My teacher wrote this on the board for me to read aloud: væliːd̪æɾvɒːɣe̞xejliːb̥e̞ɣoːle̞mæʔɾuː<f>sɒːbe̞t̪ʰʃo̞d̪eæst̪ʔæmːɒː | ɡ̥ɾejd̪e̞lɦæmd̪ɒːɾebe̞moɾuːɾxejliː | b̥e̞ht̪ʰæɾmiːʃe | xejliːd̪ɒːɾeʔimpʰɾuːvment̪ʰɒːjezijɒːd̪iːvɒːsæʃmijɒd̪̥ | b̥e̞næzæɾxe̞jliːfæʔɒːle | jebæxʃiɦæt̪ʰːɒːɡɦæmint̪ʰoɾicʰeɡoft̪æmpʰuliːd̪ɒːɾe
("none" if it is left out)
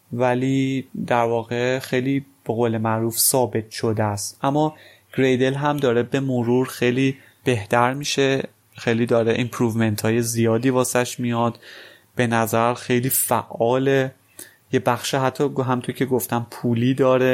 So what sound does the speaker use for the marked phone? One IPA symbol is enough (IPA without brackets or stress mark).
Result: f